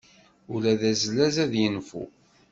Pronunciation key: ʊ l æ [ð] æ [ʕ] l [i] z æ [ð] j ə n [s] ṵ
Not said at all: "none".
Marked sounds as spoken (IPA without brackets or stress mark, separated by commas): ð, z, æ, ð, f